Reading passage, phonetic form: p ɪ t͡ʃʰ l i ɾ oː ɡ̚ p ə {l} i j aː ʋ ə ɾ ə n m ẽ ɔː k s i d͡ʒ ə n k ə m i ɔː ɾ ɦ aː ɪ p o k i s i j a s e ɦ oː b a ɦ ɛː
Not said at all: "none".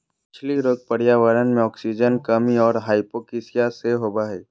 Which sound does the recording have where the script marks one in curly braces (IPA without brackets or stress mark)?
ɽ